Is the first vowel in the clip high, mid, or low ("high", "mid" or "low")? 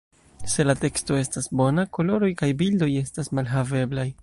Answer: mid